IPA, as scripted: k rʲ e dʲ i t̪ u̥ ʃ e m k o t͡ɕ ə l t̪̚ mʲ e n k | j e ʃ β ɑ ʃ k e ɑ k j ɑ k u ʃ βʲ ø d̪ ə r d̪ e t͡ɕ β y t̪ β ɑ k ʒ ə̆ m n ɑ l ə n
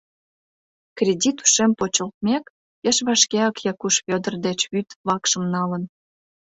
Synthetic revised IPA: k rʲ e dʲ i t̪ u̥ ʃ e m p o t͡ɕ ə l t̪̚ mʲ e k | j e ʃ β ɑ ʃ k e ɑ k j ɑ k u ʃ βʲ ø d̪ ə r d̪ e t͡ɕ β y t̪ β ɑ k ʃ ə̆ m n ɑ l ə n